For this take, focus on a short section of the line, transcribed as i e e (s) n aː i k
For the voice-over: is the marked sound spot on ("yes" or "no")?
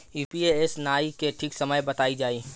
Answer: yes